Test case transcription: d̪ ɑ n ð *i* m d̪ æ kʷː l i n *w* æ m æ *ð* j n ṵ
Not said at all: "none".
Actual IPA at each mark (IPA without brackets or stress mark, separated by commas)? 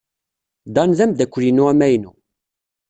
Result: æ, u, none